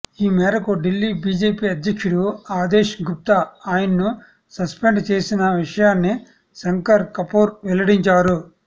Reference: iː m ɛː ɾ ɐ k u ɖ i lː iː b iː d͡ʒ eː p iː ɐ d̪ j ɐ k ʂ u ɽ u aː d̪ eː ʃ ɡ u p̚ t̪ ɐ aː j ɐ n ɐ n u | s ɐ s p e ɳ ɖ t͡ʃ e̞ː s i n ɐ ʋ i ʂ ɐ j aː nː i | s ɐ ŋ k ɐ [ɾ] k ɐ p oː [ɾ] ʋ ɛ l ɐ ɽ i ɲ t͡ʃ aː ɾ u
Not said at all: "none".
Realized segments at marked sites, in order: ɾ, ɾ

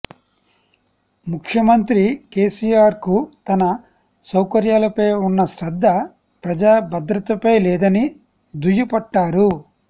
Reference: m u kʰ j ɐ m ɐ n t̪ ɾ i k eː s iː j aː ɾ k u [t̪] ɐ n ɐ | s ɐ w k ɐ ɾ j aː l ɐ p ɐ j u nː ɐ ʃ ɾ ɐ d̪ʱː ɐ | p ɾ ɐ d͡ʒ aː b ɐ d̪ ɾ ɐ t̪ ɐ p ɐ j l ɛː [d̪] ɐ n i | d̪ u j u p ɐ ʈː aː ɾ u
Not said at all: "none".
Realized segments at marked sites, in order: t̪, d̪

